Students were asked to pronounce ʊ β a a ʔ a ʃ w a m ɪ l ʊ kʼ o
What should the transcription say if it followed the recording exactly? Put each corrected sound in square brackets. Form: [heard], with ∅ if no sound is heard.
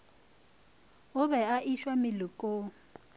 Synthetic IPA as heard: ʊ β [ɛ] a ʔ [i] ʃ w a m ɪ l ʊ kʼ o